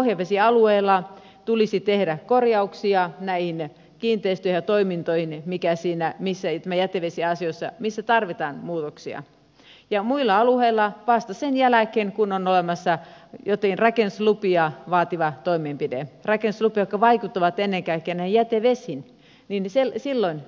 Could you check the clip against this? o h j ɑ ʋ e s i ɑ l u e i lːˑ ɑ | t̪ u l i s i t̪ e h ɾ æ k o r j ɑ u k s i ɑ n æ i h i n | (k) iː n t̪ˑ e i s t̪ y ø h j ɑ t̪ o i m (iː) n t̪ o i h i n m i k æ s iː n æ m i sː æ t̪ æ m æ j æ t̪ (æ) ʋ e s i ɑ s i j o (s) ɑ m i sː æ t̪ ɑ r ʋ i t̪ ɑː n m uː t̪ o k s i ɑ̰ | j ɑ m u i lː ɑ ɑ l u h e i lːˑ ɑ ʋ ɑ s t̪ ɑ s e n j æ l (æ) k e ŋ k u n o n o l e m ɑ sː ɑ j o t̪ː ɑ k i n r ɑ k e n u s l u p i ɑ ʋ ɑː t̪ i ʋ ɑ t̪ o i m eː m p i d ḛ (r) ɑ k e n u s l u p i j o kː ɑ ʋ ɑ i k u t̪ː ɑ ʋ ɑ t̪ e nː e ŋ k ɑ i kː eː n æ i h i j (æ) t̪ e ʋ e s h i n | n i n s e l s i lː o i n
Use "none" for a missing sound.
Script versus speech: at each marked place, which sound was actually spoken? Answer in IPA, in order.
k, i, e, sː, æ, r, æ

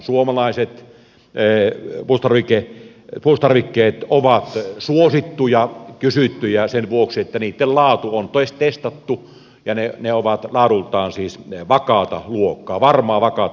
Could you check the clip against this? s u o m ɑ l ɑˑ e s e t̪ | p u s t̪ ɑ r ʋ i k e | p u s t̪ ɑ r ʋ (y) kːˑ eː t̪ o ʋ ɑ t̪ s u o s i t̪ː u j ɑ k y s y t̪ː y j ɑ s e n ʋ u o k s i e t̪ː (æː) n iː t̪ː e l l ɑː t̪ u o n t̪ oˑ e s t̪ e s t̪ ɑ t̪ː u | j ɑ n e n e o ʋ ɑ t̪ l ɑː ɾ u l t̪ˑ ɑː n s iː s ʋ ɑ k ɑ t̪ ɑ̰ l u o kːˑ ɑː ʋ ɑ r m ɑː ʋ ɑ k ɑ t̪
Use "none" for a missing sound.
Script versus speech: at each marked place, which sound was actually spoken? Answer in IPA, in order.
i, æ

